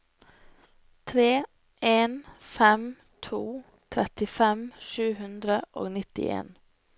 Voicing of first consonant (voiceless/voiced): voiceless